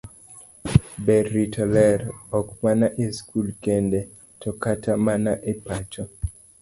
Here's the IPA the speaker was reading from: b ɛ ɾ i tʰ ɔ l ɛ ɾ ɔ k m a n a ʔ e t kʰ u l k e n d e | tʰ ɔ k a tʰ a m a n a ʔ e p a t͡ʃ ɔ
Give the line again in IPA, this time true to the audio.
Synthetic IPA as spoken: b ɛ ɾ i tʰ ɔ l ɛ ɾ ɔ k m a n a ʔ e s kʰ u l k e n d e | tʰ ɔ k a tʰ a m a n a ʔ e p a t͡ʃ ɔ